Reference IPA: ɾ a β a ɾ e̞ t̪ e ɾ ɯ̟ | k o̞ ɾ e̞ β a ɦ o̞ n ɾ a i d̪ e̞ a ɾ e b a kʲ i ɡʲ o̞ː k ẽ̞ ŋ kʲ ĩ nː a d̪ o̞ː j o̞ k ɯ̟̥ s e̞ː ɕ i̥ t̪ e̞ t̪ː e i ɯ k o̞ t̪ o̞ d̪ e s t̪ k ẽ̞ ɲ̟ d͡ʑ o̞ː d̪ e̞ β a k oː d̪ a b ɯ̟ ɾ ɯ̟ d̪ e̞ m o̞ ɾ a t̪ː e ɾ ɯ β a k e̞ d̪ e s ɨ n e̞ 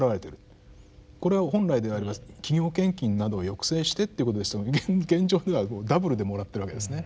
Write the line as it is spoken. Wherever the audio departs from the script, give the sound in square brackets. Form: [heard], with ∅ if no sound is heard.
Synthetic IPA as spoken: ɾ a β a ɾ e̞ t̪ e ɾ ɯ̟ | k o̞ ɾ e̞ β a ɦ [õ̞] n ɾ a i d̪ e̞ a ɾ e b a kʲ i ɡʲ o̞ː k ẽ̞ ŋ kʲ ĩ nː a d̪ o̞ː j o̞ k ɯ̟̥ s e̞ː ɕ i̥ t̪ e̞ t̪ː e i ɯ k o̞ t̪ o̞ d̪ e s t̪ [ɡ] ẽ̞ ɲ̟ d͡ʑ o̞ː d̪ e̞ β a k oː d̪ a b ɯ̟ ɾ ɯ̟ d̪ e̞ m o̞ ɾ a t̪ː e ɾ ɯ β a k e̞ d̪ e s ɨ n e̞